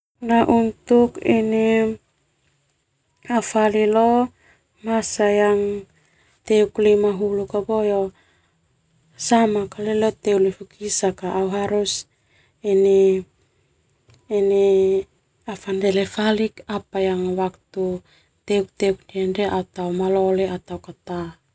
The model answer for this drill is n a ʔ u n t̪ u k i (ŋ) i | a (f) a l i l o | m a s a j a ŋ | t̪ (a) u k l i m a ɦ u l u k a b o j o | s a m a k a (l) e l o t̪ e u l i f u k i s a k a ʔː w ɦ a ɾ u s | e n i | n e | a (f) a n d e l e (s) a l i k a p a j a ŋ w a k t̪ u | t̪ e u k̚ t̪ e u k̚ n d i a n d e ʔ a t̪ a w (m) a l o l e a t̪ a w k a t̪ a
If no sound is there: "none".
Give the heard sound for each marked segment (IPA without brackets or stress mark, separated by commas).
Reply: n, f, e, l, f, f, m